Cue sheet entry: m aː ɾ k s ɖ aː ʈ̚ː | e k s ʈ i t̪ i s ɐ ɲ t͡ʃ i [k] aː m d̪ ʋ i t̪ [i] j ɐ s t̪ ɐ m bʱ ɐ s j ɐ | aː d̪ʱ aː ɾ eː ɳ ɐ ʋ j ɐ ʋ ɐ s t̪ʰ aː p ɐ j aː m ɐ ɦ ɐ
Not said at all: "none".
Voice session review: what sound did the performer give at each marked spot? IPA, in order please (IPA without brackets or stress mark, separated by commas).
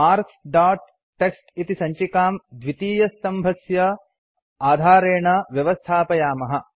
k, iː